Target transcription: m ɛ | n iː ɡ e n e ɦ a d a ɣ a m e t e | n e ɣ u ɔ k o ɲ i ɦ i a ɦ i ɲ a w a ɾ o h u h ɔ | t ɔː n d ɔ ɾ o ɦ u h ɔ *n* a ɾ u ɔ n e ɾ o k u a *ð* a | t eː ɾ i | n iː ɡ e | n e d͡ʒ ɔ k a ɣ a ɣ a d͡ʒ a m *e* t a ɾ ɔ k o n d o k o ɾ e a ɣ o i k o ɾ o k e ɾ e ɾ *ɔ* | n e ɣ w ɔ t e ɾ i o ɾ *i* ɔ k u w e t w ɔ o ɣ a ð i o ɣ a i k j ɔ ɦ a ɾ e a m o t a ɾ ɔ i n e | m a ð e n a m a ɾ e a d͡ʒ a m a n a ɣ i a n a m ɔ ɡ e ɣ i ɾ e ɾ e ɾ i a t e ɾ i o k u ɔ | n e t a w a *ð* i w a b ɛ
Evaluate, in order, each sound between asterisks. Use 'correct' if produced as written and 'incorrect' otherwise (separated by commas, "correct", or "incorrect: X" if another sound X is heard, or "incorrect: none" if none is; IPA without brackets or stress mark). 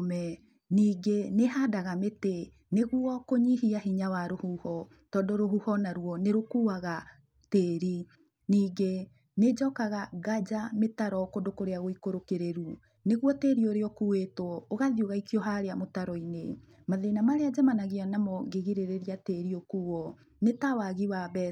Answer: correct, incorrect: ɣ, correct, incorrect: u, incorrect: e, incorrect: ɣ